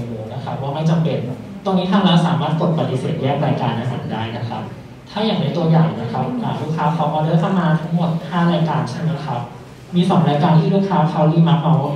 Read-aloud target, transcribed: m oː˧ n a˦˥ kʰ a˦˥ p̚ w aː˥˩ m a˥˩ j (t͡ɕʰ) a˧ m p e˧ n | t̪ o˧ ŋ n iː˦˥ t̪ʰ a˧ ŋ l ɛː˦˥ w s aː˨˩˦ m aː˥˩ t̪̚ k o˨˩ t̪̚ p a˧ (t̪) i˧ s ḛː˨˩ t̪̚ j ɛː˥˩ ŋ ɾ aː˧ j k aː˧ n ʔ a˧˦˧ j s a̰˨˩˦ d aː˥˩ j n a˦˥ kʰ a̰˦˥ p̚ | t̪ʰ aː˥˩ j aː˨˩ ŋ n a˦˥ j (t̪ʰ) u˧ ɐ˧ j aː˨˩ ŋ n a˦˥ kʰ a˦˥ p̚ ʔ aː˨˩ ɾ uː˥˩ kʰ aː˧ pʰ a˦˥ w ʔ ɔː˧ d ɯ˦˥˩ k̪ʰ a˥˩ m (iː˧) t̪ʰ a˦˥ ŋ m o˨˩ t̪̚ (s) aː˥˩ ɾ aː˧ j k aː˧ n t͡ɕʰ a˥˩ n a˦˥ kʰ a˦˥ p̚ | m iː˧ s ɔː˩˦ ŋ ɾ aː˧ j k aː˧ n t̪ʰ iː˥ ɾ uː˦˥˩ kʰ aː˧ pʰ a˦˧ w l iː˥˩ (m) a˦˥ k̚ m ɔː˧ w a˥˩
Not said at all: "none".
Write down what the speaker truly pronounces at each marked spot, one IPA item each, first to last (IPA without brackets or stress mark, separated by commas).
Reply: t͡ɕ, t̪, t̪, aː˧, h, m